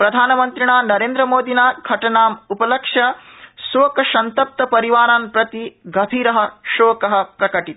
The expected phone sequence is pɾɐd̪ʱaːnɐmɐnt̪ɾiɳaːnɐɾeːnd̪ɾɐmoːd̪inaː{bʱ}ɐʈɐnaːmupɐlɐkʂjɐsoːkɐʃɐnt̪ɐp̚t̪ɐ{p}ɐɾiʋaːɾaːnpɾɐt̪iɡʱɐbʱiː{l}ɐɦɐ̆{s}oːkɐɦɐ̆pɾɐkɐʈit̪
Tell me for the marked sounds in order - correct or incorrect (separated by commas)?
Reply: incorrect, correct, incorrect, incorrect